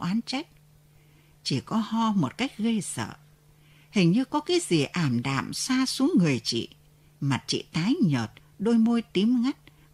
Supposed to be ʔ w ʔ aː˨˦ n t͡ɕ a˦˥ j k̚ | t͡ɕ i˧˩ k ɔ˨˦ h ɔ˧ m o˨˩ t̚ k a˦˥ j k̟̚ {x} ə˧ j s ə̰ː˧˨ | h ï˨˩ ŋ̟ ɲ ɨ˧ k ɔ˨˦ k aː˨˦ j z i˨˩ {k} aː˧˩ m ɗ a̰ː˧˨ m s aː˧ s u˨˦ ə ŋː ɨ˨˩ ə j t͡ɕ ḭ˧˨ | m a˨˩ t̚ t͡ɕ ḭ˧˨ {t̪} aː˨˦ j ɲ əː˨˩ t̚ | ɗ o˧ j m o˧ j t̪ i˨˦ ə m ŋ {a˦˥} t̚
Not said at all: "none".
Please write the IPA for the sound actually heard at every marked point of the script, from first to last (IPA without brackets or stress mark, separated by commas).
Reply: ɣ, ʔ, t̪, a˦˥